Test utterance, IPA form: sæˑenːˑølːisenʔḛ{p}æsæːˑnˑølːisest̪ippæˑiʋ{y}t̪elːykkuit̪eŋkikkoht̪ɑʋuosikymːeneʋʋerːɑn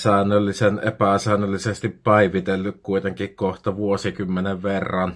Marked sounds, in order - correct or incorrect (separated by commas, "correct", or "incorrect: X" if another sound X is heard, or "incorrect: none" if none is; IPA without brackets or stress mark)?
correct, incorrect: i